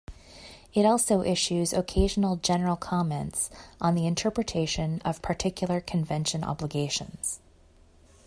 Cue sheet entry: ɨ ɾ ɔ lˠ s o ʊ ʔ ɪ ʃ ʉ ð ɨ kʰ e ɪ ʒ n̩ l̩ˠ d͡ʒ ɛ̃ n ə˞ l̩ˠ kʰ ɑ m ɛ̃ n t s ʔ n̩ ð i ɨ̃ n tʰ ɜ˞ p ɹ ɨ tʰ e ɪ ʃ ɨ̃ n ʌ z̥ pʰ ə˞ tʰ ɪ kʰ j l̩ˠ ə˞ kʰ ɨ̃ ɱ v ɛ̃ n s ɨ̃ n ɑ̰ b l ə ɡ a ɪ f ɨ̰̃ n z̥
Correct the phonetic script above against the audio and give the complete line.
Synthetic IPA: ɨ ɾ ɔ lˠ s o ʊ ʔ ɪ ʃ ʉ z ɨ kʰ e ɪ ʒ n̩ l̩ˠ d͡ʒ ɛ n ə˞ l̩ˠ kʰ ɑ m ɛ̃ n t s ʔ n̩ ð i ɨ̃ n tʰ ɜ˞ p ɹ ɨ tʰ e ɪ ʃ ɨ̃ n ʌ v̥ pʰ ə˞ tʰ ɪ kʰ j l̩ˠ ə˞ kʰ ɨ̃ ɱ v ɛ̃ n ʃ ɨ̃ n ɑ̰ b l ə ɡ e ɪ ʃ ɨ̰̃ n z̥